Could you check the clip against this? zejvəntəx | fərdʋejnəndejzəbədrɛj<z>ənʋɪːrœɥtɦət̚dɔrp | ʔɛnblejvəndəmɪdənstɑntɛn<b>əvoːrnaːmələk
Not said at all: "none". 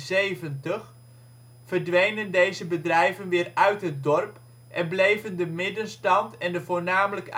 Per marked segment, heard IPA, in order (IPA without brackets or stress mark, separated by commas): v, d